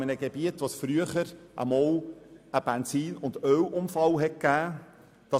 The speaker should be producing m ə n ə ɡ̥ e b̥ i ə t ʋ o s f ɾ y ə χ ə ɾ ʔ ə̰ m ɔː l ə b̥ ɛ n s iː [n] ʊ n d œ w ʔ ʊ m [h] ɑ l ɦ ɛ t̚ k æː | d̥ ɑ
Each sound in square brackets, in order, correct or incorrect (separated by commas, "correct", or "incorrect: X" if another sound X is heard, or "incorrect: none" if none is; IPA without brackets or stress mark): correct, incorrect: f